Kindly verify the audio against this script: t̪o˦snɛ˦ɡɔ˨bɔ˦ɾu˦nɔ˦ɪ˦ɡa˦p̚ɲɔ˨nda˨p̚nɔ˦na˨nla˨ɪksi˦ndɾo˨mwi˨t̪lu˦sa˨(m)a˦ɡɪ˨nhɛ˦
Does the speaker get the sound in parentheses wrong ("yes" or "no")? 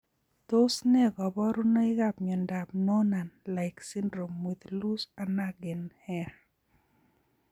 yes